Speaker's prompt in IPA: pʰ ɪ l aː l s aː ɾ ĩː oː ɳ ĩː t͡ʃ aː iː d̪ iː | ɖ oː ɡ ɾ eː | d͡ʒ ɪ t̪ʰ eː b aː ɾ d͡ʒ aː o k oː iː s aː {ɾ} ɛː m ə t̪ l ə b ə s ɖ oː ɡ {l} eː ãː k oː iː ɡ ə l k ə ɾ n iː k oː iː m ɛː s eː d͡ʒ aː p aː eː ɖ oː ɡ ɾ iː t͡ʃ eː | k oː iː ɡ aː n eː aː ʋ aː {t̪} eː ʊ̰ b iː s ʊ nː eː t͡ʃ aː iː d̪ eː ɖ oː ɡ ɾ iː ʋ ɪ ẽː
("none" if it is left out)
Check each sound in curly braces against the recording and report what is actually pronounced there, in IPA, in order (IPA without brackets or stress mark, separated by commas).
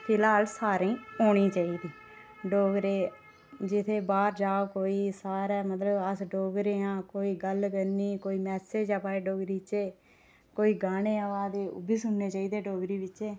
ɾ, ɾ, d̪